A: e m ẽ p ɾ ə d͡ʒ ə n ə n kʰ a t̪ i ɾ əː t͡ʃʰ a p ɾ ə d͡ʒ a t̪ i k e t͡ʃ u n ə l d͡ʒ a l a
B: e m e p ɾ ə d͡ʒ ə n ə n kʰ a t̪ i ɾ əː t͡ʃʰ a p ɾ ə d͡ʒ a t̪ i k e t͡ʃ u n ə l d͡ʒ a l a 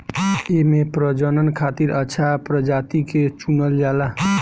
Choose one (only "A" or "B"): B